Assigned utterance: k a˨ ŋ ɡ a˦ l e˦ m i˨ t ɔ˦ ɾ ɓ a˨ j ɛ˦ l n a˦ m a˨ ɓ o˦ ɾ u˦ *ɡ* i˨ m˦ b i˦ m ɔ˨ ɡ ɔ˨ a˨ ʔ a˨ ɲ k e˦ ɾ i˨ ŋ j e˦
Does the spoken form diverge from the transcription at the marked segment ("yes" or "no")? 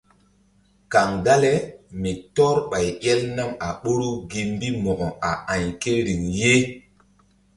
no